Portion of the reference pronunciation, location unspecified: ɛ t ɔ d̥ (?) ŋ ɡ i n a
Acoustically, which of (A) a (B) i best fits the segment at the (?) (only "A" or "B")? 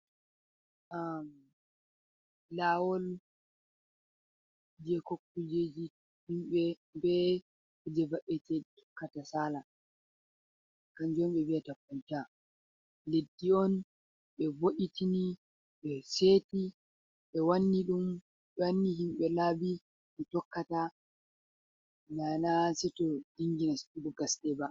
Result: B